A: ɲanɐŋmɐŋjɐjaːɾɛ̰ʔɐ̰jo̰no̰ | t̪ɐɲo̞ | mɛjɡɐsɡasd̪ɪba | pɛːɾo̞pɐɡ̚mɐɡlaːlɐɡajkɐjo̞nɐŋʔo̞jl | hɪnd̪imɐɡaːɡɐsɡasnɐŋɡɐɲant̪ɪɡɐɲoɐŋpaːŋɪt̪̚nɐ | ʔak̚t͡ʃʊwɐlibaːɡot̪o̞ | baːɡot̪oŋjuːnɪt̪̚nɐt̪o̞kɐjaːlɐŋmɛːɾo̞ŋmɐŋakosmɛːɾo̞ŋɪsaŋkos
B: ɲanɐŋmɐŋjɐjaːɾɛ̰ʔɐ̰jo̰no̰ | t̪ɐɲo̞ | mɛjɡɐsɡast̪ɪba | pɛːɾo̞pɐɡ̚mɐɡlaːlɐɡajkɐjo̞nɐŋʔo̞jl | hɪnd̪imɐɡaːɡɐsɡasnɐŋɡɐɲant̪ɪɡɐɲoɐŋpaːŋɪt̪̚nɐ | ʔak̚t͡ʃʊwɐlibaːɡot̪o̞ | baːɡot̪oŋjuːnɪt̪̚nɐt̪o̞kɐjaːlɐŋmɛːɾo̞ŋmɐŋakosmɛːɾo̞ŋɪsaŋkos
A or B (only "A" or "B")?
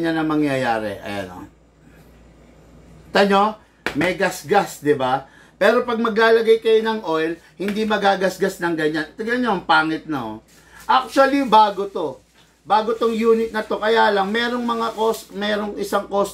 A